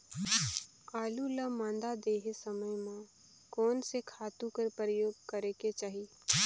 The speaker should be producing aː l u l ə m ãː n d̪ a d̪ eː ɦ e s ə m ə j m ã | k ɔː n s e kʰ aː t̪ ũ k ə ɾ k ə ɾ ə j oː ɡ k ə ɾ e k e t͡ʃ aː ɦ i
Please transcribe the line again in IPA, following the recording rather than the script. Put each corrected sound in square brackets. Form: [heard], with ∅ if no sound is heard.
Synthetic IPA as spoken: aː l u l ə m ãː n d̪ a d̪ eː ɦ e s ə m ə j m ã | k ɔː n s e kʰ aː t̪ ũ k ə ɾ [p] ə ɾ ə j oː ɡ k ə ɾ e k e t͡ʃ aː ɦ i